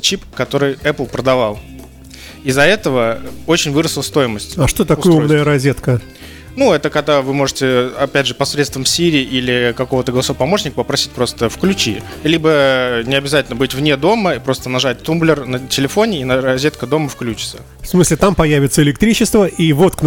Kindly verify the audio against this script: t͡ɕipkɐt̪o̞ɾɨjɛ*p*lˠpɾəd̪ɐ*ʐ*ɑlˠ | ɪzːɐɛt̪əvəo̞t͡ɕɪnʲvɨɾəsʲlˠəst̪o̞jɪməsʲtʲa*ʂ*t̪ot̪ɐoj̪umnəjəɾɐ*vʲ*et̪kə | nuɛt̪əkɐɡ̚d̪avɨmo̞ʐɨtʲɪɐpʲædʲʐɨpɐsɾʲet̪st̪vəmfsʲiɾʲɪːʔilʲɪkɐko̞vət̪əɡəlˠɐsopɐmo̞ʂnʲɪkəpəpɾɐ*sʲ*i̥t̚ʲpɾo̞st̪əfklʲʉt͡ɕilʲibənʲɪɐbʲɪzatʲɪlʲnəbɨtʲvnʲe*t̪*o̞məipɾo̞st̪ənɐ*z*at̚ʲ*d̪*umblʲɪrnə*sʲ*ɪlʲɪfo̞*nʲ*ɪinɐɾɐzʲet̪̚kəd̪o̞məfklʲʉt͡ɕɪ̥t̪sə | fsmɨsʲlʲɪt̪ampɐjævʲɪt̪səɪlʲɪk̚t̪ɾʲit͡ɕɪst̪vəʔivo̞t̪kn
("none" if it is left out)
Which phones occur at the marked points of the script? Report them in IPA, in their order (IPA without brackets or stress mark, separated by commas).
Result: p, v, ʂ, zʲ, sʲ, d̪, ʐ, t̪, tʲ, nʲ